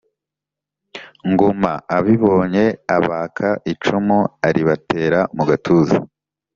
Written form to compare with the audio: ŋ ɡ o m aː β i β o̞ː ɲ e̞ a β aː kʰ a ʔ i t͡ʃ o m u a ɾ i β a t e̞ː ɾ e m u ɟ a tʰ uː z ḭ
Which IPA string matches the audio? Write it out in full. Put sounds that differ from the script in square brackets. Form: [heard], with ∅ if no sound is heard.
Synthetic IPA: ŋ ɡ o m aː β i β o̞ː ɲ e̞ a β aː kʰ a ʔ i t͡ʃ [u] m u a ɾ i β a t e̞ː ɾ [a] m u [ɡ] a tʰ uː z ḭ